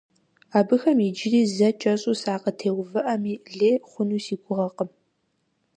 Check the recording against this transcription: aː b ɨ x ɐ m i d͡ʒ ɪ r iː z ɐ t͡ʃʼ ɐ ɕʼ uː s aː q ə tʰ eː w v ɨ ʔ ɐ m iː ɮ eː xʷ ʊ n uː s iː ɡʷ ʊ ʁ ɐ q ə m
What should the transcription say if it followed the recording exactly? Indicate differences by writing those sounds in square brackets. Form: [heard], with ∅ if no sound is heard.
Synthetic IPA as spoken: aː b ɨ x ɐ m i d͡ʒ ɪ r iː z ɐ t͡ʃʼ ɐ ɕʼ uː s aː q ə tʰ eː w v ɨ ʔ ɐ m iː ɮ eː [χʷ] ʊ n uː s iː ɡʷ ʊ ʁ ɐ q ə m